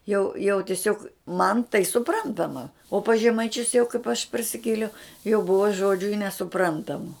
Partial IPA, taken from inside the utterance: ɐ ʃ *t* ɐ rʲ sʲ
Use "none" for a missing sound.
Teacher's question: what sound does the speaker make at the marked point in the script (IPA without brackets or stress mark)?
p